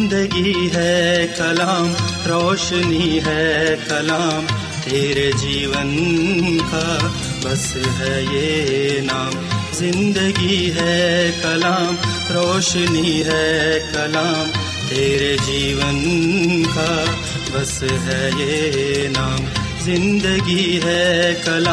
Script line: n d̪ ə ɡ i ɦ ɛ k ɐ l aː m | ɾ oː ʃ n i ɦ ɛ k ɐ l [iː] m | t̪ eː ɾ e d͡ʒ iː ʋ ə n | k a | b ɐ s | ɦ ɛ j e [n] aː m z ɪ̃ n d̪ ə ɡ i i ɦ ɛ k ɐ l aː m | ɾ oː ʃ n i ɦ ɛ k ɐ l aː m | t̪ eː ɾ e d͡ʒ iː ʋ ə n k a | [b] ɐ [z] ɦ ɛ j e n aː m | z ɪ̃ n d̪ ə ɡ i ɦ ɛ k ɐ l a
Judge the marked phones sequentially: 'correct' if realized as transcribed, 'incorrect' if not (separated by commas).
incorrect, correct, correct, incorrect